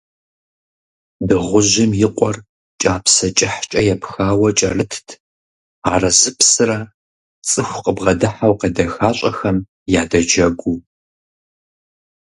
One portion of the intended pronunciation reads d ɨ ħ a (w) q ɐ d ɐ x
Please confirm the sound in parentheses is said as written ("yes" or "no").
yes